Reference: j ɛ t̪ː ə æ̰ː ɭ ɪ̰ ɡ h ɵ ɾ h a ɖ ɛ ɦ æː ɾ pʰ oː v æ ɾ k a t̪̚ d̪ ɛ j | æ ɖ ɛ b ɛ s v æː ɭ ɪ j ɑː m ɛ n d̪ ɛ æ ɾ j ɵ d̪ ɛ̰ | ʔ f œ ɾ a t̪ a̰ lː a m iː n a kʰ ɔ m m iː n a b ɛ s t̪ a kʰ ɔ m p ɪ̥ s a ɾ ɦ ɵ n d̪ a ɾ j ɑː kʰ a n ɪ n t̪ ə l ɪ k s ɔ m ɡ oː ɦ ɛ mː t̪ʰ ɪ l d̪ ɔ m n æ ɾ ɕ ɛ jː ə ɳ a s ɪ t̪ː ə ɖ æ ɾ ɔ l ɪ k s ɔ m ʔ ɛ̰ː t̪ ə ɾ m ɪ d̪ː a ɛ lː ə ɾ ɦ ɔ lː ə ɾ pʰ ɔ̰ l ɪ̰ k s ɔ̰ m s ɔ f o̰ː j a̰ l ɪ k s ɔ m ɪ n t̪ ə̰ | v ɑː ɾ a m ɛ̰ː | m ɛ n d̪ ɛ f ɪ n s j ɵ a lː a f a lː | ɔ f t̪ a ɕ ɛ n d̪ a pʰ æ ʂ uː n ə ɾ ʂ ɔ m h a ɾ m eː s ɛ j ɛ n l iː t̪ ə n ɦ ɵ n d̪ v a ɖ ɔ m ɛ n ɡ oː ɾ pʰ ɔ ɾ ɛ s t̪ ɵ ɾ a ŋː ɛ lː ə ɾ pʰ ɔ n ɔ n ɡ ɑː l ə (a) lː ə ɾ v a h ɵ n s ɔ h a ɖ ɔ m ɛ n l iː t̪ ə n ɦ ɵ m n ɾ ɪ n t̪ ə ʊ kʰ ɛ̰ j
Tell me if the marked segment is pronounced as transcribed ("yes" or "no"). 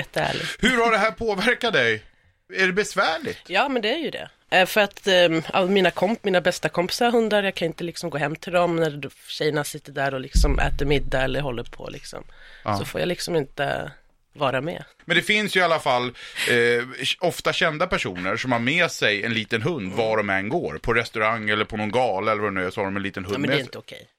no